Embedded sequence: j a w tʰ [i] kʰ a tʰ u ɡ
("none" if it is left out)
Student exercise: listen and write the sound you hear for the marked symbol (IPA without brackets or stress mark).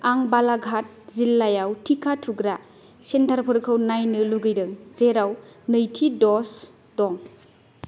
i